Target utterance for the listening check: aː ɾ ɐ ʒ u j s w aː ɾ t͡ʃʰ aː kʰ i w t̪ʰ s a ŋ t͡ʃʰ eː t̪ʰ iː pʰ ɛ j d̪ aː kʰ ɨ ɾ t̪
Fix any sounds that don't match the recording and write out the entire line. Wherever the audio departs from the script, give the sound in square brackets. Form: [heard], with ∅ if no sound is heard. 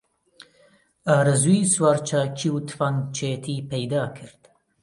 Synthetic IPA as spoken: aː ɾ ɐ [z] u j s w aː ɾ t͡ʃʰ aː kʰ i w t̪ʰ [f] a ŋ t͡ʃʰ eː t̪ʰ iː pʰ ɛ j d̪ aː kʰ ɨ ɾ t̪